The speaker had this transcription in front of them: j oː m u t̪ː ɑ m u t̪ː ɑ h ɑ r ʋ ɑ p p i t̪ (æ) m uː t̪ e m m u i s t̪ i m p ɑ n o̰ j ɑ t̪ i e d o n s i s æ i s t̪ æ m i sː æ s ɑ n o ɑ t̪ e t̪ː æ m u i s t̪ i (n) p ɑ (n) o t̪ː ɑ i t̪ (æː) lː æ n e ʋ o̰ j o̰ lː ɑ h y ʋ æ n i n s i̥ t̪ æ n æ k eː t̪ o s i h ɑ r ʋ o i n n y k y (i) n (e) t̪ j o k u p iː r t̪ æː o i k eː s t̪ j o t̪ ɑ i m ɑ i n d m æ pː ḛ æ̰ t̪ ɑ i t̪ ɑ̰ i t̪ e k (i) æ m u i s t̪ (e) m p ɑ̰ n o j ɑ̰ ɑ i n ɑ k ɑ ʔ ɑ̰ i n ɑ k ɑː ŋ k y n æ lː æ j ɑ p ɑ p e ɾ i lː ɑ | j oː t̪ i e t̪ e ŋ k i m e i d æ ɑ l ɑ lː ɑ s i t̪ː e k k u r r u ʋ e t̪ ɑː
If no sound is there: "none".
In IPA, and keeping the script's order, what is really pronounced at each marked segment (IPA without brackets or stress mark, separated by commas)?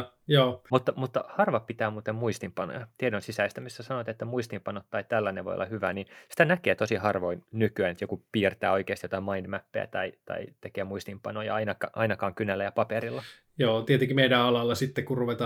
æː, m, n, æ, æ, e, e, i